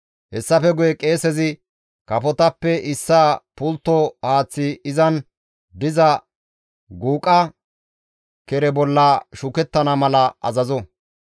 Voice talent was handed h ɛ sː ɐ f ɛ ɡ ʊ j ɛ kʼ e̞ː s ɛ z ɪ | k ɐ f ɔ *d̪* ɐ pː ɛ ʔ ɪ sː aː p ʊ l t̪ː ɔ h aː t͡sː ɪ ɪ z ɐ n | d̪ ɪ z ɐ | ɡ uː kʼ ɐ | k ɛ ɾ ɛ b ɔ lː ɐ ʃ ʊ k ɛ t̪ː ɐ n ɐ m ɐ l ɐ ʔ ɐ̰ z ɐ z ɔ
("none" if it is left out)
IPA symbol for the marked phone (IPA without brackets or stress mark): t̪